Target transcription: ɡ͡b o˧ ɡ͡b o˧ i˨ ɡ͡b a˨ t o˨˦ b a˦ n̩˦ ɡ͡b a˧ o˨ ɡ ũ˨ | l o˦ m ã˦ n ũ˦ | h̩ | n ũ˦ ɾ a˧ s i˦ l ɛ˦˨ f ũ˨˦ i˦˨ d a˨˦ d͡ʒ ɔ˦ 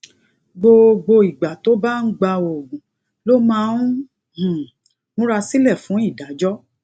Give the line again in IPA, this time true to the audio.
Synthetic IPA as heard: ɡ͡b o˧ ɡ͡b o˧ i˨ ɡ͡b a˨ t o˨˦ b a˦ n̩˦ ɡ͡b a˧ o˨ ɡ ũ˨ | l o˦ m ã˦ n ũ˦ | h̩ | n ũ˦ ɾ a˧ s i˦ l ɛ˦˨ f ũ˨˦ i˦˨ d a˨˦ d͡ʒ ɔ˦